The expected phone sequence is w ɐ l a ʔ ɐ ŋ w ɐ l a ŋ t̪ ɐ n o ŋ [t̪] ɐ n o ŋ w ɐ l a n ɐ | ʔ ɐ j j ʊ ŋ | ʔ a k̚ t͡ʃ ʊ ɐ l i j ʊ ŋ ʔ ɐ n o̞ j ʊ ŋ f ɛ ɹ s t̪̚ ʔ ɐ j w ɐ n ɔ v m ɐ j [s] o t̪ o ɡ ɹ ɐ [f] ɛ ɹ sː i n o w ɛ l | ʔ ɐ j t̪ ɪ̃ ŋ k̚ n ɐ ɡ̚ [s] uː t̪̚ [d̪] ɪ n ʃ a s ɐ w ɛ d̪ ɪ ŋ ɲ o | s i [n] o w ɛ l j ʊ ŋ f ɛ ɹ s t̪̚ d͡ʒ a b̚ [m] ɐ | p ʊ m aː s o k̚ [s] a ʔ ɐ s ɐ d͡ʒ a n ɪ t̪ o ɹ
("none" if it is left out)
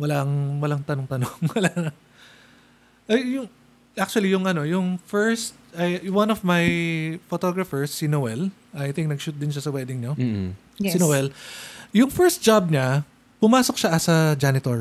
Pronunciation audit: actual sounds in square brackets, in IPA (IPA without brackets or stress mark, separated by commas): t̪, f, f, ʃ, d̪, n, ɲ, ʃ